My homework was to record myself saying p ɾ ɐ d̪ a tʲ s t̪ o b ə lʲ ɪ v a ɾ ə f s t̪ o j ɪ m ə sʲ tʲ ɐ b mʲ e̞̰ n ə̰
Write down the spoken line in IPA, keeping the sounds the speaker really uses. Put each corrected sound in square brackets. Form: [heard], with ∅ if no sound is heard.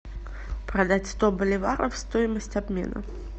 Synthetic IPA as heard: p ɾ ɐ d̪ a tʲ s t̪ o b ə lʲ ɪ v a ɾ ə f s t̪ o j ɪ m ə sʲ tʲ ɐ b mʲ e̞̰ n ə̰